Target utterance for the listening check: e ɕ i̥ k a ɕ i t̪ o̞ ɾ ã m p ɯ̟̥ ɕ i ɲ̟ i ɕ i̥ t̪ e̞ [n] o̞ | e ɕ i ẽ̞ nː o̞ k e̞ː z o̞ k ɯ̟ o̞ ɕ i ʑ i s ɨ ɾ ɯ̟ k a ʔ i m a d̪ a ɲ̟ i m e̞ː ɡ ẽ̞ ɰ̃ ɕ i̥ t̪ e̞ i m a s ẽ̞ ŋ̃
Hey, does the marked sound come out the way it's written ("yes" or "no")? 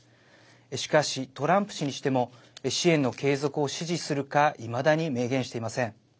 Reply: no